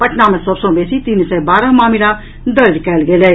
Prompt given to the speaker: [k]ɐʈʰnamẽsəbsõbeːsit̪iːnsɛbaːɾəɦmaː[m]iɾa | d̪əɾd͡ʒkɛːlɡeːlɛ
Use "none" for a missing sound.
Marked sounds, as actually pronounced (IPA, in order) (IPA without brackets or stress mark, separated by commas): p, m